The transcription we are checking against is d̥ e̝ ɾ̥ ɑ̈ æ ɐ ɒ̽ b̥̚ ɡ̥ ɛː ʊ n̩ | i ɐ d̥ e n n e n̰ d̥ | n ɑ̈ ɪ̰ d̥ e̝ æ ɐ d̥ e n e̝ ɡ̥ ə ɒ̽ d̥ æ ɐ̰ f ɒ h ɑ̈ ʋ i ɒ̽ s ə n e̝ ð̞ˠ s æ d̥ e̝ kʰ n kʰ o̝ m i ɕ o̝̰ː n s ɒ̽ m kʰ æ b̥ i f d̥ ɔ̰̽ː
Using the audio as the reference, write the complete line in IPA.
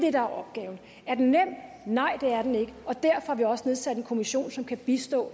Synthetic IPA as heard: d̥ e̝ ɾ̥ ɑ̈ æ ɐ ɒ̽ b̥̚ ɡ̥ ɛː ʊ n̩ | æ ɐ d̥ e n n e m̰ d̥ | n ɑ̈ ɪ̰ d̥ e̝ æ ɐ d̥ e n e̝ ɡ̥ ə ɒ̽ d̥ æ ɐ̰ f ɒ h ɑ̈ ʋ i ɒ̽ s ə n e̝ ð̞ˠ s æ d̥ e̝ n kʰ o̝ m i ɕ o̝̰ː n s ɒ̽ m kʰ æ b̥ i s d̥ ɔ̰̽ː